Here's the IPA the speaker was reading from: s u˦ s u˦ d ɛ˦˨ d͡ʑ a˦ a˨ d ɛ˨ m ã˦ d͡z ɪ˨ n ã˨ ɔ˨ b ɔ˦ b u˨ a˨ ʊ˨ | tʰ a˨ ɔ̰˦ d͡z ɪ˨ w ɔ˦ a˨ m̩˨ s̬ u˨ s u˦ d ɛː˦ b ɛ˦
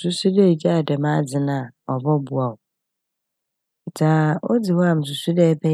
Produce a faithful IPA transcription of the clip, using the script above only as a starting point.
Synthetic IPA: s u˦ s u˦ d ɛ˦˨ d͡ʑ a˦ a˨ d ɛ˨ m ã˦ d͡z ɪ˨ n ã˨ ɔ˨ b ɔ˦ b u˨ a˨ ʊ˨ | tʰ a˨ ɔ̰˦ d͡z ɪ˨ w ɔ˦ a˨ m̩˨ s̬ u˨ s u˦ d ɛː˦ b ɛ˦